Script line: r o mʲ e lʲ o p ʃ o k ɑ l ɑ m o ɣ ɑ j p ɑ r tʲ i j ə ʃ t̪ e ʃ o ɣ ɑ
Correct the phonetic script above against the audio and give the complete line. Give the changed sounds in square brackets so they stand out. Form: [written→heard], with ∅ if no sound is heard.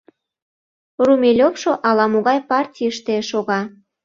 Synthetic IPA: r [o→u] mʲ e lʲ o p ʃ o [k→ʔ] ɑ l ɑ m o ɣ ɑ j p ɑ r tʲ i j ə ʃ t̪ e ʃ o ɣ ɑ